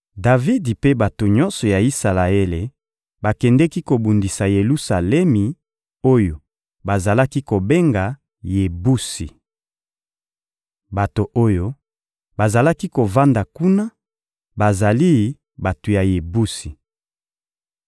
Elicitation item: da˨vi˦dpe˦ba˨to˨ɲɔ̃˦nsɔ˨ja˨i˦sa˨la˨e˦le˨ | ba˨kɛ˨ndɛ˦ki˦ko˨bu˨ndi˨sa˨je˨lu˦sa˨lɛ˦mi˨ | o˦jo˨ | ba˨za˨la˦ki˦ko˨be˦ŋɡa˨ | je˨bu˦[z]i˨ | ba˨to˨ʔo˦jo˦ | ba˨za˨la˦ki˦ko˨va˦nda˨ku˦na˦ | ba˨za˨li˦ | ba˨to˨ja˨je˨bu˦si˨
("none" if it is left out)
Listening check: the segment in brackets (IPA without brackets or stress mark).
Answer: s